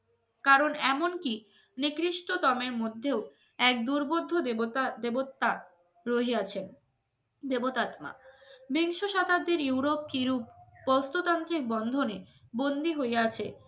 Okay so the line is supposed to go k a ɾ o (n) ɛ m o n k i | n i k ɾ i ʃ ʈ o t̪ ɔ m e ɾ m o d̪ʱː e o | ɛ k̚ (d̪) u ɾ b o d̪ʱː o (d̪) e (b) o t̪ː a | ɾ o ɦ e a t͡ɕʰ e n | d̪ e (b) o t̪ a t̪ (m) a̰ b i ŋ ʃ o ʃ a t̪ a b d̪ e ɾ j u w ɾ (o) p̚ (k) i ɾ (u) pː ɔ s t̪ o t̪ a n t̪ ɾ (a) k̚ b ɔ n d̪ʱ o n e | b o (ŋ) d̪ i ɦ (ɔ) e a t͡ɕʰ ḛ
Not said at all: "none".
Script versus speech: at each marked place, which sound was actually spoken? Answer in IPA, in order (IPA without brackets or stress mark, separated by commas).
n, d̪, d̪, b, b, m, o, k, u, i, n, o